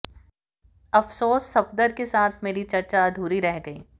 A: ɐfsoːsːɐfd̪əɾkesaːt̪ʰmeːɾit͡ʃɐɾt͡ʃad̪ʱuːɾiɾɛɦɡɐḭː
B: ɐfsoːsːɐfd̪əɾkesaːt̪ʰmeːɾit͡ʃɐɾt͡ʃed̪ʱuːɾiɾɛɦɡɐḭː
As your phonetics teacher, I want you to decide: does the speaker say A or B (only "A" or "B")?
A